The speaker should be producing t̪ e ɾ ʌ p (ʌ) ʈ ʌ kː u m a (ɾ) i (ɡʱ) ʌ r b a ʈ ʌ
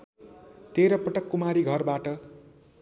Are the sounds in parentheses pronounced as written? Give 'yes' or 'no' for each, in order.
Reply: yes, yes, yes

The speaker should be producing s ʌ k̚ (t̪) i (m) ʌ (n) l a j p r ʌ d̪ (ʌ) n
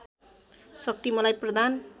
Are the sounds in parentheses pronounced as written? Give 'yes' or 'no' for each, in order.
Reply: yes, yes, no, no

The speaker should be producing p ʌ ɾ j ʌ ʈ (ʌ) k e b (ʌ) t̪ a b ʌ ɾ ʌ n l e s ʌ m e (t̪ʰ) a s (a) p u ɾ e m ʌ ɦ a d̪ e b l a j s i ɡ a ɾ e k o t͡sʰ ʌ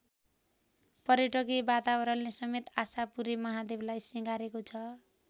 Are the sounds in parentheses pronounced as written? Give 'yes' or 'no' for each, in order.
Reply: yes, no, no, yes

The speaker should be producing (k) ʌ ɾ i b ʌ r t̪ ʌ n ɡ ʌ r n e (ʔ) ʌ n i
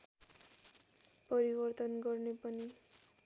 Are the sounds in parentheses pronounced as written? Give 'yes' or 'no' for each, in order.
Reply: no, no

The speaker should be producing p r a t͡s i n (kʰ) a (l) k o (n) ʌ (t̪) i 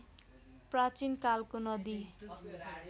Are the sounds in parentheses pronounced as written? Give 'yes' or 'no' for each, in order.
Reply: no, yes, yes, no

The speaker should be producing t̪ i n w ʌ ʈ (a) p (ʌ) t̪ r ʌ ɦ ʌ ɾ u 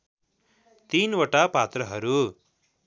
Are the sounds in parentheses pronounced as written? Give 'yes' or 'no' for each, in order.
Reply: yes, no

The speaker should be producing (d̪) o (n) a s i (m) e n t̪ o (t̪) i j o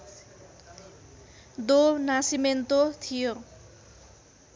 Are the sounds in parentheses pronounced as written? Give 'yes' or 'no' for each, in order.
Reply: yes, yes, yes, no

